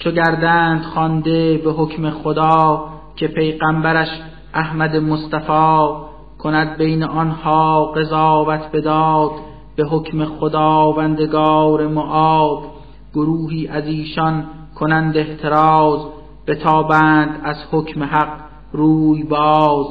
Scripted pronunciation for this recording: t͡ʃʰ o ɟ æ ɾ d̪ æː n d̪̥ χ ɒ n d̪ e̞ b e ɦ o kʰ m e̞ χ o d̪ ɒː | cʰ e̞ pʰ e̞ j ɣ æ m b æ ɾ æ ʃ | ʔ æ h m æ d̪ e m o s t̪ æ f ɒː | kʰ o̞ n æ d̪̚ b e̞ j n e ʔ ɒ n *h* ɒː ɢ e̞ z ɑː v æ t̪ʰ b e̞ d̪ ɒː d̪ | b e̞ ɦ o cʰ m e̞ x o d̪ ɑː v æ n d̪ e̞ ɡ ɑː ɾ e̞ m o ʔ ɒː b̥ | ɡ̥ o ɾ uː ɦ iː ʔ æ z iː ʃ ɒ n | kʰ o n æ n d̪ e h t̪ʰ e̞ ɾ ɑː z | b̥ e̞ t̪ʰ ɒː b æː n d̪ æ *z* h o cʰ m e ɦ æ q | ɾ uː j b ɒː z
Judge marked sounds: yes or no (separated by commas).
yes, yes